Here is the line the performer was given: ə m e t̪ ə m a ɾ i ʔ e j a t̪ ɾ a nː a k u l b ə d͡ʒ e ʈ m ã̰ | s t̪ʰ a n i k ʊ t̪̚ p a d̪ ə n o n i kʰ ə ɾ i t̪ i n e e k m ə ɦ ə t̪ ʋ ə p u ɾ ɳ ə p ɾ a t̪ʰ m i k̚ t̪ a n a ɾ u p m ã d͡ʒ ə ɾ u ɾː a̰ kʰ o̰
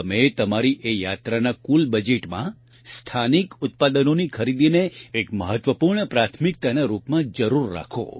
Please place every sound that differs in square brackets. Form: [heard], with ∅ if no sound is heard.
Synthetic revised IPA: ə m e t̪ ə m a ɾ i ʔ e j a t̪ ɾ a [n] a k u l b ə d͡ʒ e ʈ m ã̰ | s t̪ʰ a n i k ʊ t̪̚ p a d̪ ə n o n i kʰ ə ɾ i [d̪] i n e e k m ə ɦ ə t̪ ʋ ə p u ɾ ɳ ə p ɾ a t̪ʰ m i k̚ t̪ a n a ɾ u p m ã d͡ʒ ə ɾ u ɾː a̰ kʰ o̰

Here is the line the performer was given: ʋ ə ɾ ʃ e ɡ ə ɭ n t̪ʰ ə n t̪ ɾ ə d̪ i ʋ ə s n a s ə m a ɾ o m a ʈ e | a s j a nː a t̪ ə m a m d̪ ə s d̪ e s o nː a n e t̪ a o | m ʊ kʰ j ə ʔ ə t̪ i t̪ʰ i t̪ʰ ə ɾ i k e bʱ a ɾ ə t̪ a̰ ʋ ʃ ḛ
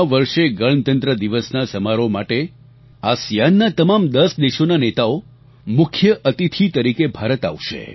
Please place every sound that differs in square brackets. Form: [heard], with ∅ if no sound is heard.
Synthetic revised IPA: ʋ ə ɾ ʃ e ɡ ə ɭ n [t̪] ə n t̪ ɾ ə d̪ i ʋ ə s n a s ə m a ɾ o m a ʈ e | a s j a nː a t̪ ə m a m d̪ ə s d̪ e [ʃ] o [n] a n e t̪ a o | m ʊ kʰ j ə ʔ ə t̪ i t̪ʰ i [t̪] ə ɾ i k e bʱ a ɾ ə t̪ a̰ ʋ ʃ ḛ

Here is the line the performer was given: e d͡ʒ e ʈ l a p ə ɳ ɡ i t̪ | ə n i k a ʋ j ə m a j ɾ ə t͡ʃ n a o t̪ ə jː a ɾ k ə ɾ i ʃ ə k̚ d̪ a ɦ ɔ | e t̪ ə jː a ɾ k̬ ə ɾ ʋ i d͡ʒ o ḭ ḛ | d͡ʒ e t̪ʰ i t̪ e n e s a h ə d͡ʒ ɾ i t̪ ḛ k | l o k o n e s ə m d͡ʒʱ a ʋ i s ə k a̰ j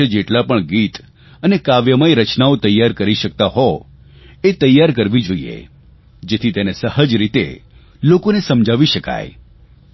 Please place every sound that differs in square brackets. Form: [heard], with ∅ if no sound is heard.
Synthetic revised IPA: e d͡ʒ e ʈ l a p ə ɳ ɡ i t̪ | ə n [e] k a ʋ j ə m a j ɾ ə t͡ʃ n a o t̪ ə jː a ɾ k ə ɾ i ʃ ə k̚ [t̪] a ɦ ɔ | e t̪ ə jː a ɾ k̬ ə ɾ ʋ i d͡ʒ o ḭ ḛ | d͡ʒ e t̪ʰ i t̪ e n e s [ə] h ə d͡ʒ ɾ i t̪ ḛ [∅] | l o k o n e s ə m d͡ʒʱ a ʋ i [ʃ] ə k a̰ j

